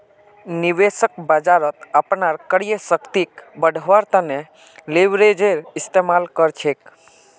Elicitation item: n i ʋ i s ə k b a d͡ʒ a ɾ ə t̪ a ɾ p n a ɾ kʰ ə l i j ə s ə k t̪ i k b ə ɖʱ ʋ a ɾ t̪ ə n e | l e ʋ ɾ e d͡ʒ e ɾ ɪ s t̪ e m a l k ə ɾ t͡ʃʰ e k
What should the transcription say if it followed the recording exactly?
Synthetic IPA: n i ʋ e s ə k b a d͡ʒ a ɾ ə t̪ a p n a ɾ k ə ɽ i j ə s ə k t̪ i k b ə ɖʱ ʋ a ɾ t̪ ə n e | l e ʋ ɾ e d͡ʒ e ɾ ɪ s t̪ e m a l k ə ɾ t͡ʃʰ e k